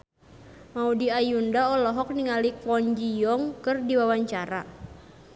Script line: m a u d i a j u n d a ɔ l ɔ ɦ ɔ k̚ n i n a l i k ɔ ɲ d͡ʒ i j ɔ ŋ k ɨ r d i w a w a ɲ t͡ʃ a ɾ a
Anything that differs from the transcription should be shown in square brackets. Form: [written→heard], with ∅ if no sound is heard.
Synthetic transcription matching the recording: m a u d i a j u n d a ɔ l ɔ ɦ ɔ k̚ n i [n→ŋ] a l i k ɔ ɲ d͡ʒ i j ɔ ŋ k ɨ r d i w a w a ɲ t͡ʃ a ɾ a